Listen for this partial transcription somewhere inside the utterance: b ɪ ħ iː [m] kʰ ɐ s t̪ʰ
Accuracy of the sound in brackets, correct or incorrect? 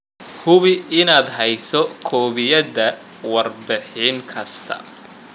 incorrect: ŋ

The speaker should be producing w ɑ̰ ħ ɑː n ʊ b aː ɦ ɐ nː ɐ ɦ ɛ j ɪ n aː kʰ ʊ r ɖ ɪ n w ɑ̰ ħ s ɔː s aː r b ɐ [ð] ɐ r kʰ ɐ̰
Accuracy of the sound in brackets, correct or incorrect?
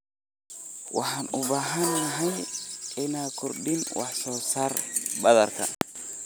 correct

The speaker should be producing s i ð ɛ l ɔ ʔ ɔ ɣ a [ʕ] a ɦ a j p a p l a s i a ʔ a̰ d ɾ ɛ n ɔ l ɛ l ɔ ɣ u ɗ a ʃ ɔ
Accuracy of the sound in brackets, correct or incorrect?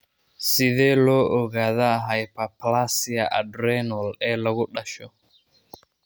incorrect: ð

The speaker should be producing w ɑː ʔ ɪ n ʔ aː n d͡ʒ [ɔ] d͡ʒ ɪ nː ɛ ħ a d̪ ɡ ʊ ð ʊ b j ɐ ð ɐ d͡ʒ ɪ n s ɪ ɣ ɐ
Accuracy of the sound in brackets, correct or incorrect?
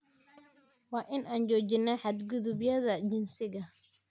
incorrect: ɔː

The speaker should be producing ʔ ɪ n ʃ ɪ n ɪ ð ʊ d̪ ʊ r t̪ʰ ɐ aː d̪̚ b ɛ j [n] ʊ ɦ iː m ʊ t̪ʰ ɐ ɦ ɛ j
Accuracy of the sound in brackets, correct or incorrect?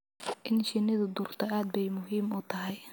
incorrect: m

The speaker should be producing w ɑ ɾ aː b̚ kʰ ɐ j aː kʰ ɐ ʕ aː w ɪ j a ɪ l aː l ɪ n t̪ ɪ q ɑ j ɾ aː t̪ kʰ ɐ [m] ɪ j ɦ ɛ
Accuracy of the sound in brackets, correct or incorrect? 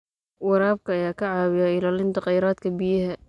incorrect: b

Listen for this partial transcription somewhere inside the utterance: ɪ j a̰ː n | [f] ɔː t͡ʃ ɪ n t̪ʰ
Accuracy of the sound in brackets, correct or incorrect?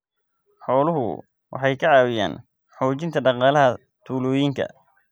incorrect: ħ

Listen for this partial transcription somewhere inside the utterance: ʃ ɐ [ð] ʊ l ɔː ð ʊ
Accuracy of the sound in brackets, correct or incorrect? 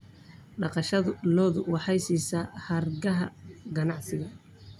correct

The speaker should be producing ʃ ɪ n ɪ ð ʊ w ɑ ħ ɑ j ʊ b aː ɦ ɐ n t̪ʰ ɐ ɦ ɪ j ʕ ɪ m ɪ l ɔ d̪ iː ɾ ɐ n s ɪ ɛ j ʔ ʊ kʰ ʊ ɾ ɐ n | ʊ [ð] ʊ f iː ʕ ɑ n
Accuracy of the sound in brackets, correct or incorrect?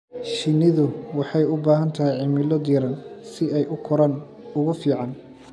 incorrect: ɣ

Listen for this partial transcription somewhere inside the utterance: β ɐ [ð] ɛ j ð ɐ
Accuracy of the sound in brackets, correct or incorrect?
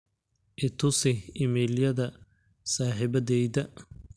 correct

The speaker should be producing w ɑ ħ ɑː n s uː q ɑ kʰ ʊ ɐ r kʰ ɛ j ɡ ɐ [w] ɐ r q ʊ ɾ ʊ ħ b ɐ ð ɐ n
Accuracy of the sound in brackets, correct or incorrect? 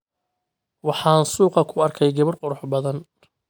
incorrect: β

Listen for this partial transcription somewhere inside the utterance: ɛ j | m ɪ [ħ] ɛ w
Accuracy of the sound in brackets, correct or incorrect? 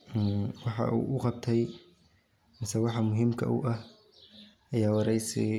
incorrect: s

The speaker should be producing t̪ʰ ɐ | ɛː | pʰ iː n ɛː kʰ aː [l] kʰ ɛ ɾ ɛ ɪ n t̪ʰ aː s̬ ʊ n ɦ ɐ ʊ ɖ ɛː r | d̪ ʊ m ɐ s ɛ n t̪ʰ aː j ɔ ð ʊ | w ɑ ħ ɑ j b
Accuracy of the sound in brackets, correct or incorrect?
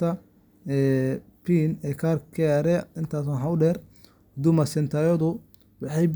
incorrect: r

